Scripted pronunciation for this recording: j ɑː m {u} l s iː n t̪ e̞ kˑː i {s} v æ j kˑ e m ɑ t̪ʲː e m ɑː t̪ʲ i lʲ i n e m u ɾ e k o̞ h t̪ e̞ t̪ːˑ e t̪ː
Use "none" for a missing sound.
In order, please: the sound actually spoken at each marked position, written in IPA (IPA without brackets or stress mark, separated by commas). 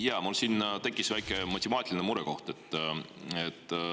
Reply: u, s